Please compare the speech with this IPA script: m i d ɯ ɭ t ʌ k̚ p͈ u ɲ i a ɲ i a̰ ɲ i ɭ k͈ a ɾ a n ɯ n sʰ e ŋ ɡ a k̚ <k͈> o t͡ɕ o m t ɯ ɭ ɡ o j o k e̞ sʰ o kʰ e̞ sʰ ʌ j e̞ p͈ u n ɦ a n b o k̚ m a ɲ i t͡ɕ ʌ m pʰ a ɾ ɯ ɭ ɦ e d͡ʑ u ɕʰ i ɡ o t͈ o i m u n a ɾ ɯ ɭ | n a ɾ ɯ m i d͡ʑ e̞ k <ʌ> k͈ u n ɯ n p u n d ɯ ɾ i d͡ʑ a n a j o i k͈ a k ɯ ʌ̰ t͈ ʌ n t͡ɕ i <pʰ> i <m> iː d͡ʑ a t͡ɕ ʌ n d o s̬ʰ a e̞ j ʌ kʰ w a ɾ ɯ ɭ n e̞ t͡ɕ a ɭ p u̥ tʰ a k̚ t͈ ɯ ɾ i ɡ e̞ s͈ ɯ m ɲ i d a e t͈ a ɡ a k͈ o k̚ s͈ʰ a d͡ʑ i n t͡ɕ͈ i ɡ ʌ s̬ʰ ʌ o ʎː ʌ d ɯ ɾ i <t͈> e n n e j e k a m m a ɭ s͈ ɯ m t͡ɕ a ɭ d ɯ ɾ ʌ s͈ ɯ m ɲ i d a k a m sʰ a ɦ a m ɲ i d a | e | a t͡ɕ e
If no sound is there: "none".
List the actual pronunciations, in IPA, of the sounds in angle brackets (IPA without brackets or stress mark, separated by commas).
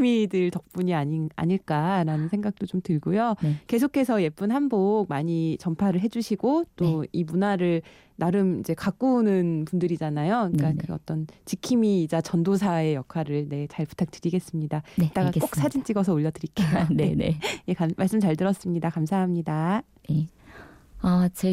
t͈, a, kʰ, m, k͈